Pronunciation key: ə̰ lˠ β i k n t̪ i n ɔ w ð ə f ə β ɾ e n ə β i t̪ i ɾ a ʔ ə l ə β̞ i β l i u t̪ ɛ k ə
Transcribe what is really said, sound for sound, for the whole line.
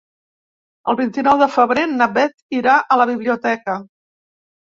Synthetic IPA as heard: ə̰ lˠ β i n t̪ i n ɔ w ð ə f ə β ɾ e n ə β ɛ t̪ i ɾ a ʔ ə l ə β̞ i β l i u t̪ ɛ k ə